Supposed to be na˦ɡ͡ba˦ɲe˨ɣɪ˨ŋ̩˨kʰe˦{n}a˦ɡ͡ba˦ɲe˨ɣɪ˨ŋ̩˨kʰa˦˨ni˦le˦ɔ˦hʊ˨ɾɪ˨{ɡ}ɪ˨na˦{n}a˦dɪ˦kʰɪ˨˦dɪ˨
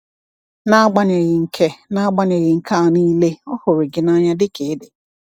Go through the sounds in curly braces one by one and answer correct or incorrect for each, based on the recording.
correct, correct, incorrect: ɲ

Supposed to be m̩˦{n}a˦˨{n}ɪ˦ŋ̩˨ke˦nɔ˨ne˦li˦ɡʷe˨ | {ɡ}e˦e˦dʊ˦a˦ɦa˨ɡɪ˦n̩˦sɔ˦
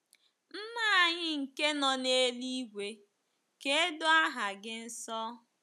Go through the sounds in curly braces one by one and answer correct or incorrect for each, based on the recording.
incorrect: m, incorrect: ɲ, incorrect: k

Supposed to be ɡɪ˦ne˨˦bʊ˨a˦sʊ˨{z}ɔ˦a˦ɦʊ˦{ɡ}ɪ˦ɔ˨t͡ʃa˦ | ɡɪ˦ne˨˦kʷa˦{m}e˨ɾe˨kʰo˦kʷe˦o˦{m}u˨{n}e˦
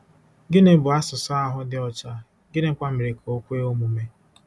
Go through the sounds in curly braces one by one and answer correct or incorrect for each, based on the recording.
incorrect: s, incorrect: d, correct, correct, incorrect: m

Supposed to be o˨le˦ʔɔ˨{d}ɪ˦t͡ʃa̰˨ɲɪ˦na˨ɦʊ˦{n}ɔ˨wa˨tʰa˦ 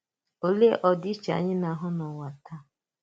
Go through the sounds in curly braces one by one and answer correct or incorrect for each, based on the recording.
correct, correct

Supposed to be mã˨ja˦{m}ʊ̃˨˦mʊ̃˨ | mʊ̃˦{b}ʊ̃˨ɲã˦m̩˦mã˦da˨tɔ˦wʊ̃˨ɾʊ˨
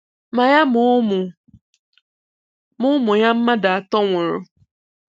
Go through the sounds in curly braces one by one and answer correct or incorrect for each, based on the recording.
correct, incorrect: m

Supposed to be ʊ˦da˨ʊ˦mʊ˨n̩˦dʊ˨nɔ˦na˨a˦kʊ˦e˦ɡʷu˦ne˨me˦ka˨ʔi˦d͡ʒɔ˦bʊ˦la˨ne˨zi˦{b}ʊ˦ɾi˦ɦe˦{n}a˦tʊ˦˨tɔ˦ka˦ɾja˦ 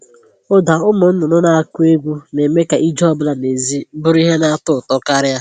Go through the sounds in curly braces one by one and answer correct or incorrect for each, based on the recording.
correct, correct

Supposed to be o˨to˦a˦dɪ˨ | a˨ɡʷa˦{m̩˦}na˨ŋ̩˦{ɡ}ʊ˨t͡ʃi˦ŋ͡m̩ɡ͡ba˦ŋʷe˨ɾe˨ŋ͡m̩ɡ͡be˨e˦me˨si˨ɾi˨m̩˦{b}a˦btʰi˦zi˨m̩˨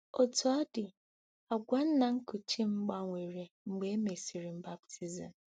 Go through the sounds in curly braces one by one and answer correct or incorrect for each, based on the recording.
incorrect: n̩˦, incorrect: k, correct

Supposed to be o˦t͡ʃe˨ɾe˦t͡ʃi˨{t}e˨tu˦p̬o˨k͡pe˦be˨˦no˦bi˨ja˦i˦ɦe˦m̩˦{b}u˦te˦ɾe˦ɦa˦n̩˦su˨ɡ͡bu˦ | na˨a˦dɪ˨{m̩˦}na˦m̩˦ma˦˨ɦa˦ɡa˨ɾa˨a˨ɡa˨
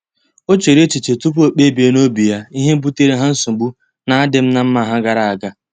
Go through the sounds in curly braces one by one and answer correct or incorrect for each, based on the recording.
incorrect: t͡ʃ, correct, correct

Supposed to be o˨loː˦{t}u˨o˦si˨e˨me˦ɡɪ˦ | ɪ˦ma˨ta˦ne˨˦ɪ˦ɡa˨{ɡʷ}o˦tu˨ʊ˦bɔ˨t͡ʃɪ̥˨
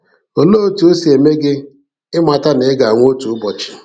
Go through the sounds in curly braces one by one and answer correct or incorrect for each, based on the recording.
correct, incorrect: ŋʷ

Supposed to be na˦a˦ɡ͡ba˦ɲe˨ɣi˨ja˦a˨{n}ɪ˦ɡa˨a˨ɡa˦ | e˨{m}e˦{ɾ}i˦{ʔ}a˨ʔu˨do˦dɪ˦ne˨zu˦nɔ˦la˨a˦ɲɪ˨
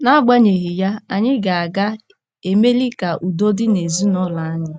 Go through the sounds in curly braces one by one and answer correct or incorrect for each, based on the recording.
incorrect: ɲ, correct, incorrect: l, incorrect: k

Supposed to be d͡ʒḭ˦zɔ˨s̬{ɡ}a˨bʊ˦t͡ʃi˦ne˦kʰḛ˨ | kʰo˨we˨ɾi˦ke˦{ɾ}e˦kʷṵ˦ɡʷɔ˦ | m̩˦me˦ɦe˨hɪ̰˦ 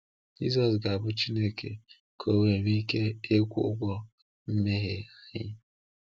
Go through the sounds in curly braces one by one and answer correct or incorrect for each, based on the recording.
correct, incorrect: none

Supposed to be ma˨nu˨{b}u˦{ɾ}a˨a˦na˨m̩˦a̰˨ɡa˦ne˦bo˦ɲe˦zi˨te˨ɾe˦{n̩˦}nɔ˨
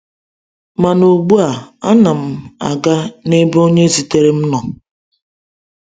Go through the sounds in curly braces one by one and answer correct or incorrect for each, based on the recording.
incorrect: ɡ͡b, incorrect: none, incorrect: m̩˦

